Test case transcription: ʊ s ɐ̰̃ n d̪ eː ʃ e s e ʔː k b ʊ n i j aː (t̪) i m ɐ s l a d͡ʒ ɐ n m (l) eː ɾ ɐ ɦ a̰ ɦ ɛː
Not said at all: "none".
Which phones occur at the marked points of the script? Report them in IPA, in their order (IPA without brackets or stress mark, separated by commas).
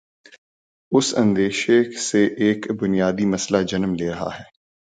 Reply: d̪, l